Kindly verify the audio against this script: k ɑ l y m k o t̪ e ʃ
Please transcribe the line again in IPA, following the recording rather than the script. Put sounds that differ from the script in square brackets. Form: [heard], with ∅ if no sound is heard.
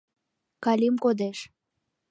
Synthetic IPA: k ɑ l [i] m k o [d̪] e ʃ